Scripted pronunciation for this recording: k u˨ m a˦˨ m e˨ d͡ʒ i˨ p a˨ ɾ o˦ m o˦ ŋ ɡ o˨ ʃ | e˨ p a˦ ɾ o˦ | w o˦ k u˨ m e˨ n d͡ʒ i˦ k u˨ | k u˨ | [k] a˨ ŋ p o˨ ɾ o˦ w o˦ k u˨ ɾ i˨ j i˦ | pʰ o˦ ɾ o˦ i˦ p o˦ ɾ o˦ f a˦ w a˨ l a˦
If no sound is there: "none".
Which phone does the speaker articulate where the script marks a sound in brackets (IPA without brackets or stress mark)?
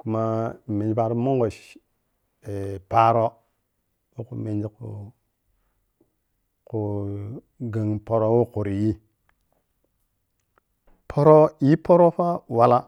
ɡ